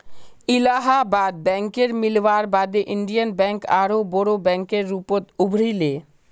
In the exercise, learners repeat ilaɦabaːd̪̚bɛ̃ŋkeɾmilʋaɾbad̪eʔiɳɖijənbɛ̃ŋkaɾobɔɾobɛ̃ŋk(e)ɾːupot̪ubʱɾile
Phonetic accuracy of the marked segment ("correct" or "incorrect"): correct